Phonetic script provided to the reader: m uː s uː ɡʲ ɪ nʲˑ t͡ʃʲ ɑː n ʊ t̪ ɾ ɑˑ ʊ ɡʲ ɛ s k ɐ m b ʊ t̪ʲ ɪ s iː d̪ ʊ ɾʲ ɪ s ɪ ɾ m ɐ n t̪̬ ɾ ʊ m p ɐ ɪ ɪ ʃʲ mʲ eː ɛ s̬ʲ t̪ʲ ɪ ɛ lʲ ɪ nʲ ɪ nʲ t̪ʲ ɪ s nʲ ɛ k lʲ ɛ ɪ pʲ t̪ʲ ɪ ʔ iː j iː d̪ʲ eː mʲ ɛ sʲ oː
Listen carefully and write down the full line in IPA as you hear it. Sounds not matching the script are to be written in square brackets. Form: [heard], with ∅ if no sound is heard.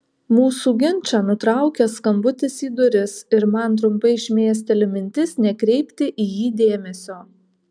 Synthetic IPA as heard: m uː s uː ɡʲ ɪ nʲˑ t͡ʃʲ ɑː n ʊ t̪ ɾ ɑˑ ʊ [kʲ] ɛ s k ɐ m b ʊ t̪ʲ ɪ s iː d̪ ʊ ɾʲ ɪ s ɪ ɾ m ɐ n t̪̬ ɾ ʊ m p ɐ ɪ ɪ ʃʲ mʲ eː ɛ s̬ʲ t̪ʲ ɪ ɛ lʲ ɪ [mʲ] ɪ nʲ t̪ʲ ɪ s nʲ ɛ k [ɾʲ] ɛ ɪ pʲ t̪ʲ ɪ ʔ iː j iː d̪ʲ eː mʲ ɛ sʲ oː